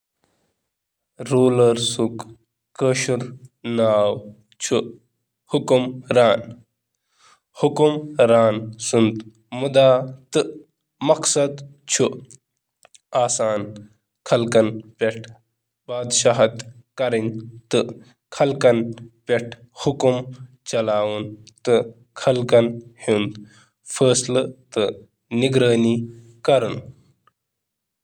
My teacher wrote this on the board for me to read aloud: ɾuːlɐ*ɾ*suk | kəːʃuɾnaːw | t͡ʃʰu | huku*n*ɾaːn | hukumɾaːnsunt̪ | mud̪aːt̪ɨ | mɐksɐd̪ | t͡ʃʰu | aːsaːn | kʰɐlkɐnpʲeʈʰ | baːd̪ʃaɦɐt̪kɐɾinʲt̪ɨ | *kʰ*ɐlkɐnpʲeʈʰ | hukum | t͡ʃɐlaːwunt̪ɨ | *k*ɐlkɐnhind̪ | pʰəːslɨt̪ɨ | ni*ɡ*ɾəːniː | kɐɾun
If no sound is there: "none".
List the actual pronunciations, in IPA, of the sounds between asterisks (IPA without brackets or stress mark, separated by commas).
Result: ɾ, m, kʰ, kʰ, ɡ